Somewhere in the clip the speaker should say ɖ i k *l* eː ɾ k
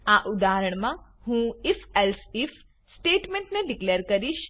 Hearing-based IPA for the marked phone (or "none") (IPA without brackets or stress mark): l